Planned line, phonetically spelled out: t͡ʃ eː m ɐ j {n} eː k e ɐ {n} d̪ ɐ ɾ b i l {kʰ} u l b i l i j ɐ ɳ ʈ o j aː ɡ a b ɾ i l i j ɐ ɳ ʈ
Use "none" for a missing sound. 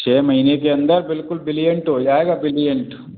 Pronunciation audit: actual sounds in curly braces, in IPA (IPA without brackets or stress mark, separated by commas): n, n, k